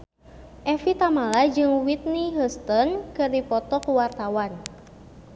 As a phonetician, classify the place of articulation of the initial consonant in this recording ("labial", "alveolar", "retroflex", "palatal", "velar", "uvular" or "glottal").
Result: glottal